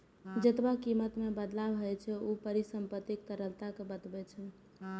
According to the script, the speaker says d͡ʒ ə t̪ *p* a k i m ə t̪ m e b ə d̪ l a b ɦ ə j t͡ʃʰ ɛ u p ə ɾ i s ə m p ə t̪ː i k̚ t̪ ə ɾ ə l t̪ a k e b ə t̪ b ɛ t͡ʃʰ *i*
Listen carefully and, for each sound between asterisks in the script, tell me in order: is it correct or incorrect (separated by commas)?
incorrect, incorrect